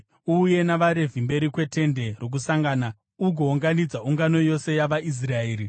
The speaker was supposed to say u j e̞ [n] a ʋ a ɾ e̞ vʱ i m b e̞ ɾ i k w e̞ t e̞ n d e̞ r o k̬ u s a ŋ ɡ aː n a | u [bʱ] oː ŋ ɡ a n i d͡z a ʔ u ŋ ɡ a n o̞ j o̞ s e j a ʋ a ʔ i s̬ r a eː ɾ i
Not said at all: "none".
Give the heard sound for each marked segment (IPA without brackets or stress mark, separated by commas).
n, ɡʱ